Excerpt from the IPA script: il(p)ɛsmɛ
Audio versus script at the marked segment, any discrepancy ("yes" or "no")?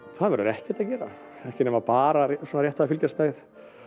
yes